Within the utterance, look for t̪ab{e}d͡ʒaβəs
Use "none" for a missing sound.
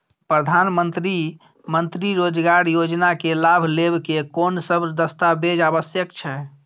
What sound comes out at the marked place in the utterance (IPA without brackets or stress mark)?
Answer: e